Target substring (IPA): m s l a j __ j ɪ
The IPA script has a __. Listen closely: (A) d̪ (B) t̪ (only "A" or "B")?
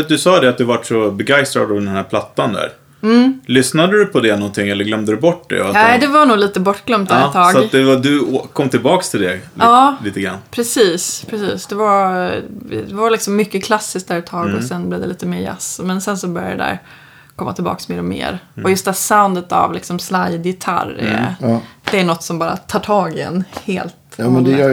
A